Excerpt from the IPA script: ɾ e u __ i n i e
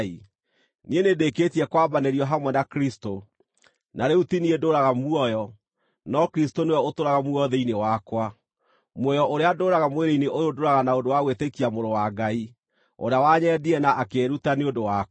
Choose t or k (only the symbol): t